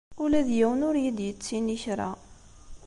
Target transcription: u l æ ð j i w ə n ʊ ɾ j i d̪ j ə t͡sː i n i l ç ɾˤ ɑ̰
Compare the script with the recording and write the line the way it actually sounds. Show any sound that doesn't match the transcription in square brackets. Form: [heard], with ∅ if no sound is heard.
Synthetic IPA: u l æ ð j [æ] w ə n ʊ ɾ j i d̪ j ə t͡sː i n i [∅] ç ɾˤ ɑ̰